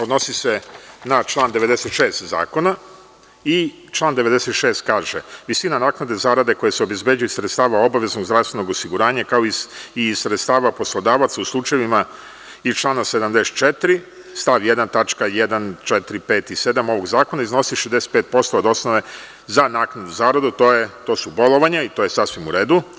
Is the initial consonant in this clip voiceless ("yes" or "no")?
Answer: no